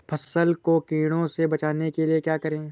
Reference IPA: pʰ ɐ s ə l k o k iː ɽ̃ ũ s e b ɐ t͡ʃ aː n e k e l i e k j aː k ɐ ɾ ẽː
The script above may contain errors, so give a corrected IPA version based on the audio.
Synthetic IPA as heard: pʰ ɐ s ə l k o k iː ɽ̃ õ s e b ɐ t͡ʃ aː n e k e l i e k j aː k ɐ ɾ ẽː